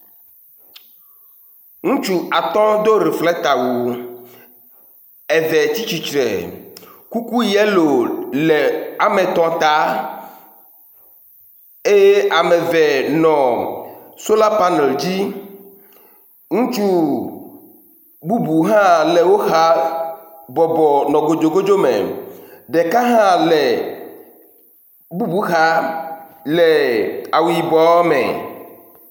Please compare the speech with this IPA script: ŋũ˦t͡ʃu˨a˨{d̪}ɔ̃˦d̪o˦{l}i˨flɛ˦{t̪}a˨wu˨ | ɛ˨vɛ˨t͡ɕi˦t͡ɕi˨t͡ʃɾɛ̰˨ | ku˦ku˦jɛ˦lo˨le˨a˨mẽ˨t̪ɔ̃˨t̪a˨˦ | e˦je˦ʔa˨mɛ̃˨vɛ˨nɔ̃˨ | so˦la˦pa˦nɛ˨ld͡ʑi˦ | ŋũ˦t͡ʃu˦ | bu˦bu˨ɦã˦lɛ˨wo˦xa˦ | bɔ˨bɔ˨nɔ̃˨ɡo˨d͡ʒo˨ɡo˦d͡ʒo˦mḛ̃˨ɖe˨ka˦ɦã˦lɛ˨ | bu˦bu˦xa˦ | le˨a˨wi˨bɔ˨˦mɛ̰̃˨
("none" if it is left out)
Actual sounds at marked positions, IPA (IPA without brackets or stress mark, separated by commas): t̪, ɾ, t̪